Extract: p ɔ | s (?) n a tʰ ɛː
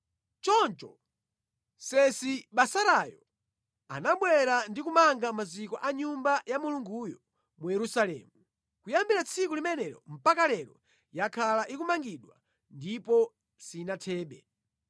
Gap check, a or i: i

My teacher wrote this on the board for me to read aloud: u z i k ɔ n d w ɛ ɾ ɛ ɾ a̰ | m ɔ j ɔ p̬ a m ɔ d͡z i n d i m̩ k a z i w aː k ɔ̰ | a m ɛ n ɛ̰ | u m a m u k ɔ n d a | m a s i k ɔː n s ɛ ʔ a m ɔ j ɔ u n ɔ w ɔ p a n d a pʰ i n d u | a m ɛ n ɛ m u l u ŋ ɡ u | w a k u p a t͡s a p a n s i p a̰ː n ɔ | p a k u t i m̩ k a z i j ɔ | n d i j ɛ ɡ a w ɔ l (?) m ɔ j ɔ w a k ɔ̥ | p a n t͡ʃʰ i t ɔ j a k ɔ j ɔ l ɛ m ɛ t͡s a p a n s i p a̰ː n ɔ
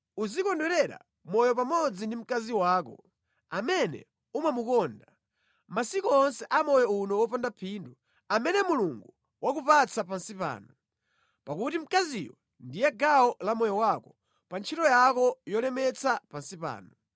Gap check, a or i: a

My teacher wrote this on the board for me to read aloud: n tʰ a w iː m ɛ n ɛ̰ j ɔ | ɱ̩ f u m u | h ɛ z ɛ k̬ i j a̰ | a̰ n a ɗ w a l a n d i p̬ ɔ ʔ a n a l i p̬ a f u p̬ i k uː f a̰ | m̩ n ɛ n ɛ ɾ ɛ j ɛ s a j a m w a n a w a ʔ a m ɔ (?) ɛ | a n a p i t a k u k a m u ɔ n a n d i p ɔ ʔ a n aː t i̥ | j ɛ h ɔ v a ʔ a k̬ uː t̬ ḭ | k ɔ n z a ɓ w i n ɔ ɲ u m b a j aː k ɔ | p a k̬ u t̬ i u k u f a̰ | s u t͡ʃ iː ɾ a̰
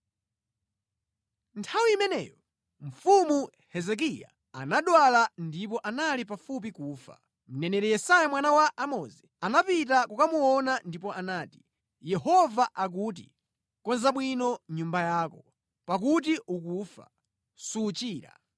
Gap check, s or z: z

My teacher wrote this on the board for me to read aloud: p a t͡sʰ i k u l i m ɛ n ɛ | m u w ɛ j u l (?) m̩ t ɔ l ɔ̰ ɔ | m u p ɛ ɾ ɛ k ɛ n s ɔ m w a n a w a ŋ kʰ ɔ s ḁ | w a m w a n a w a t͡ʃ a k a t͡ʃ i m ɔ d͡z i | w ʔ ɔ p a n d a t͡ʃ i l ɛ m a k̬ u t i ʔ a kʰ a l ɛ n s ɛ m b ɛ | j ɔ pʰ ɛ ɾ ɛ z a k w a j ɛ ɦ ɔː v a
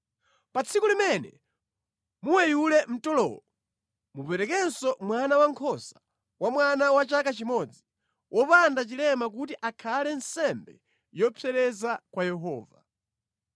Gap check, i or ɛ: ɛ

